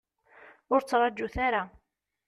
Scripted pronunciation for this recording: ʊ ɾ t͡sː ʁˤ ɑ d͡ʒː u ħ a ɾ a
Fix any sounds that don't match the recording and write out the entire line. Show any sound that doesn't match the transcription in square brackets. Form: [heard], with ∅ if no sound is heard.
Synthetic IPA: ʊ ɾ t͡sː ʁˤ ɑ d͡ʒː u [θ] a ɾ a